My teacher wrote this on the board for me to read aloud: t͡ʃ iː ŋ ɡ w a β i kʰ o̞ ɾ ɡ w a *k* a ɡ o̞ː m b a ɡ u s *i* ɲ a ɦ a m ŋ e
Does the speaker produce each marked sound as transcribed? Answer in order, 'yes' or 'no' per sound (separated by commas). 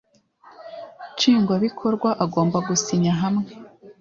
no, yes